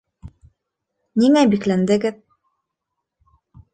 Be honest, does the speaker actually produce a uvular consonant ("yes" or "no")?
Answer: no